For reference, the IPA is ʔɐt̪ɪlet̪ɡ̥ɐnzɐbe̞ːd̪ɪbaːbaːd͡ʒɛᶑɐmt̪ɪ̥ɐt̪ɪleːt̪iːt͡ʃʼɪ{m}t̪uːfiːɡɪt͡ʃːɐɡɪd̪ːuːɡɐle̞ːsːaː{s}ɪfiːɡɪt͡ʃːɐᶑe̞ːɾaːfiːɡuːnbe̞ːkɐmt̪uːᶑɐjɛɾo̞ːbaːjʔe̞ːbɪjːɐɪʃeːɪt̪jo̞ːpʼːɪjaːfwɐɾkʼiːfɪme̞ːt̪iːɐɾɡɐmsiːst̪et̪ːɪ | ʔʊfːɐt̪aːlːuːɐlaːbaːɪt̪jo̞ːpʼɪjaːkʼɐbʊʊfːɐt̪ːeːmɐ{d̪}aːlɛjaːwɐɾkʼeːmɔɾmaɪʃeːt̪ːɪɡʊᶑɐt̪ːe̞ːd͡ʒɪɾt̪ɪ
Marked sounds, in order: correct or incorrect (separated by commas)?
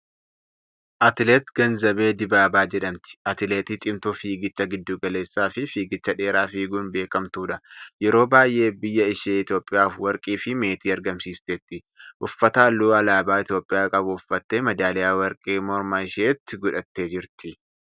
correct, incorrect, correct